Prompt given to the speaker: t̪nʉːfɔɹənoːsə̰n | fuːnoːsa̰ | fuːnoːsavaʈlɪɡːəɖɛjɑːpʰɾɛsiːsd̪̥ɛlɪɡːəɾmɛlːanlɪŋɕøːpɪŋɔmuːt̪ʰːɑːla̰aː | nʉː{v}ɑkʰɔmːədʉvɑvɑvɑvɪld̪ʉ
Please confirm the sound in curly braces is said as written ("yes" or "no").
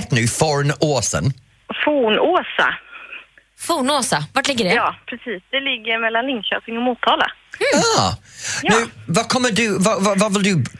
yes